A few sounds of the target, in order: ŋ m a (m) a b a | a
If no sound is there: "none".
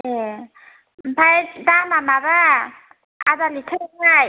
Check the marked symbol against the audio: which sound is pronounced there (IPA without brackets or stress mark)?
m